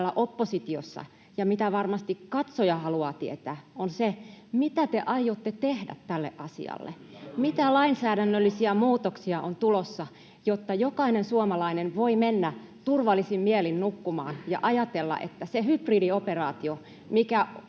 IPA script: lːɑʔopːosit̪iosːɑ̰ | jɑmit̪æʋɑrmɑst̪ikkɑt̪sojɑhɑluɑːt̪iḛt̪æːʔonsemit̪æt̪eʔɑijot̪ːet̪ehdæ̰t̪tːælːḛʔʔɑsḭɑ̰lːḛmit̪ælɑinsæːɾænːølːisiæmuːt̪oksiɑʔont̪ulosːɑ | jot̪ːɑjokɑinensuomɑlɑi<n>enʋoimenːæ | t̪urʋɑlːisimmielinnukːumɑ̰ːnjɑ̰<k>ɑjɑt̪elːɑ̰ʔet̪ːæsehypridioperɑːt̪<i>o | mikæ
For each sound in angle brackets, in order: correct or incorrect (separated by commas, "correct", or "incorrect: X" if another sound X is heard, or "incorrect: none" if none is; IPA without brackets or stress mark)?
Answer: correct, incorrect: ʔ, correct